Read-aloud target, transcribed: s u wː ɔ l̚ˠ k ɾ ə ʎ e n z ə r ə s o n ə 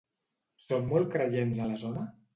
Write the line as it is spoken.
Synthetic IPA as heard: s o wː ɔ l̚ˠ k ɾ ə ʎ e n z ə l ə z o n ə

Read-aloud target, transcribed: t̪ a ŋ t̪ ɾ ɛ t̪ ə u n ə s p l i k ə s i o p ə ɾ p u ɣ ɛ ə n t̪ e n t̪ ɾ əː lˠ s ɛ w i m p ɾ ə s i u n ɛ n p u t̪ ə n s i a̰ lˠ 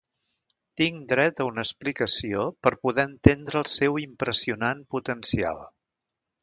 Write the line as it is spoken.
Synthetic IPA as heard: t̪ i ŋ d̪ ɾ ɛ t̪ ə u n ə s p l i k ə s i o p ə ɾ p u ð ɛ ə n t̪ e n d̪ ɾ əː lˠ s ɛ w i m p ɾ ə s i u n a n p u t̪ ə n s i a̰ lˠ

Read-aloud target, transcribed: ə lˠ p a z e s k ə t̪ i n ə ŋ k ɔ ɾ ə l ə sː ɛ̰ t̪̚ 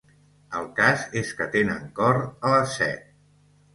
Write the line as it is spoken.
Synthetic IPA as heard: ə lˠ k a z e s k ə t̪ e n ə ŋ k ɔ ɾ ə l ə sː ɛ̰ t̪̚

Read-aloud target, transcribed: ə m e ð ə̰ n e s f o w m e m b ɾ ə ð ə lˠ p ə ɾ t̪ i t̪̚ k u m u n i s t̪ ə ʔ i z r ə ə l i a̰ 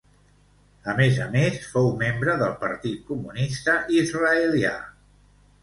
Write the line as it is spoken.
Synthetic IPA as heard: ə m e z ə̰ m e s f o w m e m b ɾ ə ð ə lˠ p ə ɾ t̪ i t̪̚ k u m u n i s t̪ ə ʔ i z r ə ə l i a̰

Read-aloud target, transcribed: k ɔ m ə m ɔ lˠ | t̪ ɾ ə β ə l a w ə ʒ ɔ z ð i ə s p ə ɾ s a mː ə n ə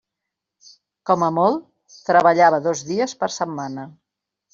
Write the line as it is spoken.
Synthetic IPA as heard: k ɔ m ə m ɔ lˠ | t̪ ɾ ə β ə ʎ a β ə ð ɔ z ð i ə s p ə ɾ s ə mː a n ə

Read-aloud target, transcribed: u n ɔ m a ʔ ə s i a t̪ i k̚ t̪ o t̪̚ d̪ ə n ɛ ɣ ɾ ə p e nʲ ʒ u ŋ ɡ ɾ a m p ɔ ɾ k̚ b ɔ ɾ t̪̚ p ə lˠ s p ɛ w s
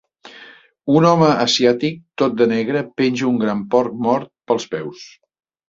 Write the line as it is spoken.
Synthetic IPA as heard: u n ɔ m ə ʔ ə s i a t̪ i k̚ t̪ o t̪̚ d̪ ə n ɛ ɣ ɾ ə p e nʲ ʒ u ŋ ɡ ɾ a m p ɔ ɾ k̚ m ɔ ɾ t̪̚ p ə lˠ s p ɛ w s

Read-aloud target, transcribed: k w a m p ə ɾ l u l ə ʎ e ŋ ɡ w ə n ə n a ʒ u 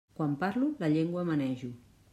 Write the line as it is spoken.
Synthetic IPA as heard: k w a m p a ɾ l u l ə ʎ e ŋ ɡ w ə m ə n ɛ ʒ u

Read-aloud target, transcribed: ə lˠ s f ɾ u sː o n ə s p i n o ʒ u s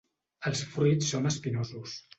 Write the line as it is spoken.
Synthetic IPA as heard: ə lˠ s f ɾ u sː o n ə s p i n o z u s

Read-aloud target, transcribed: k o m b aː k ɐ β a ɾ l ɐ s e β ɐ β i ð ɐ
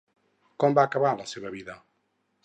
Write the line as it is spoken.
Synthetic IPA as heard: k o m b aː k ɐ β a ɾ l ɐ s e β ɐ β i ð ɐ

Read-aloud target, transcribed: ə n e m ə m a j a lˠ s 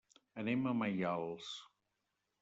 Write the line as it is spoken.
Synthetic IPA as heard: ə n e m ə m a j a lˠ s

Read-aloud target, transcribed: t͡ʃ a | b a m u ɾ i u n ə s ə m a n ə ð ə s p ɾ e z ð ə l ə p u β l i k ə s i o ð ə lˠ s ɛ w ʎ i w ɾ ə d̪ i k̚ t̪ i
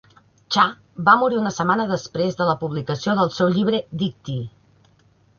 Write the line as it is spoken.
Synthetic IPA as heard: t͡ʃ a | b a m u ɾ i u n ə s ə m a n ə ð ə s p ɾ e z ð ə l ə p u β l i k ə s i o ð ə lˠ s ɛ w ʎ i β ɾ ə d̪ i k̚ t̪ i

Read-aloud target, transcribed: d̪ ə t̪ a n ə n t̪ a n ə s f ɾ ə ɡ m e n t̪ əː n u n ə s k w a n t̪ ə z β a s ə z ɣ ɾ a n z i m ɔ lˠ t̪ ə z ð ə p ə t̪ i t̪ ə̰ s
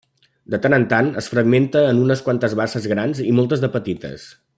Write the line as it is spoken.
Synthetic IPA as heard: d̪ ə t̪ a n ə n t̪ a n ə s f ɾ ə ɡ m e n t̪ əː n u n ə s k w a n t̪ ə z β a s ə z ɣ ɾ a n z i m ɔ lˠ t̪ ə z ð ə p ə t̪ i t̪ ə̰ s

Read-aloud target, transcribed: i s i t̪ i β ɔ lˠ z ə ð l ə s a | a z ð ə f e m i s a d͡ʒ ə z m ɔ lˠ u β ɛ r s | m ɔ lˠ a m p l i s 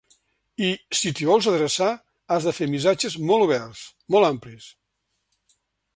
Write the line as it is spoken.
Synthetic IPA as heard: i s i t̪ i β ɔ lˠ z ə ð ɾ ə s a | a z ð ə f e m i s a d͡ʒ ə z m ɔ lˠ u β ɛ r s | m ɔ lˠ a m p l i s

